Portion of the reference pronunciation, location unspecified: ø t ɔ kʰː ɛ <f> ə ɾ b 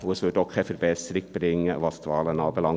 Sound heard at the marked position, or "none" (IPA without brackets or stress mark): f